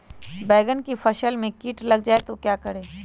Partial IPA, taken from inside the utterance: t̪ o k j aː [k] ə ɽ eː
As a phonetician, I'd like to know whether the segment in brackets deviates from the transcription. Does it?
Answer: no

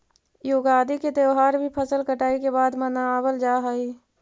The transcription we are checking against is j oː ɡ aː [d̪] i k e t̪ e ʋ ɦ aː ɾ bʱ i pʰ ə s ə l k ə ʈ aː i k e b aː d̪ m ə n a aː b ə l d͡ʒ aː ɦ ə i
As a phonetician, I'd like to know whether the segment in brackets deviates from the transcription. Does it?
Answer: no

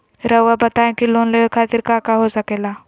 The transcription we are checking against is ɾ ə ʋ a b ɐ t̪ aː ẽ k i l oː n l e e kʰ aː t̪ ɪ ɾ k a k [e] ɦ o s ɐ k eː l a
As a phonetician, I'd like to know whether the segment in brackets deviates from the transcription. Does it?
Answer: yes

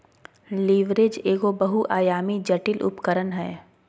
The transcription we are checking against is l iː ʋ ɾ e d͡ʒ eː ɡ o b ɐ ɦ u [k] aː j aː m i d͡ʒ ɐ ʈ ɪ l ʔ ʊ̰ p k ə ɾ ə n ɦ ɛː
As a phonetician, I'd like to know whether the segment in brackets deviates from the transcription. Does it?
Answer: yes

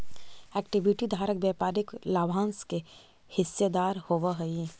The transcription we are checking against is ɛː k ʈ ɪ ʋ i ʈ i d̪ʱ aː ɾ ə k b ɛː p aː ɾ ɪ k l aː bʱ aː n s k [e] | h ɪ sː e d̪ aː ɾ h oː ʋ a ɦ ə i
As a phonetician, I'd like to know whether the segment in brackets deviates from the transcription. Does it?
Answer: no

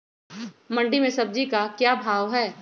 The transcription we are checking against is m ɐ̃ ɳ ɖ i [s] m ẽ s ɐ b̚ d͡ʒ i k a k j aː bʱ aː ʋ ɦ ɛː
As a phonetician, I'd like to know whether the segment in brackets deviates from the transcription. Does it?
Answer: yes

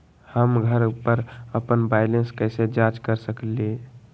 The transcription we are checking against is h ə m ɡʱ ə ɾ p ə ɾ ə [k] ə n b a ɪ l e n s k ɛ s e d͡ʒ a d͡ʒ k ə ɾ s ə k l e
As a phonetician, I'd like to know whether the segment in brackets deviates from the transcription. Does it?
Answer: yes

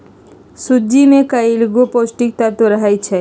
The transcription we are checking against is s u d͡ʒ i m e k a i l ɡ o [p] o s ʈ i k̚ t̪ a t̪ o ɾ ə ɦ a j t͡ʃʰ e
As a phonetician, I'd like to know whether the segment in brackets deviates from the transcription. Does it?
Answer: no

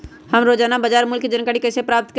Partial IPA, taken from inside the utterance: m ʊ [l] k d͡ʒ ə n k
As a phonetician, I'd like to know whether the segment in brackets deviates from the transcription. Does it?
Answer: no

